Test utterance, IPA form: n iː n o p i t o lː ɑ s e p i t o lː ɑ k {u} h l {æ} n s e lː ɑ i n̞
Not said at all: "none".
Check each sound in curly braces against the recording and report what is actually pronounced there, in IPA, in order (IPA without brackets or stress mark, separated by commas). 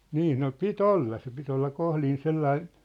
o, i